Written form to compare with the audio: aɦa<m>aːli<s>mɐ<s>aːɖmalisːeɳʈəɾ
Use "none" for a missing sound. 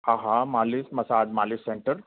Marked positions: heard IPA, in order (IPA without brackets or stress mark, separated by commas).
m, s, s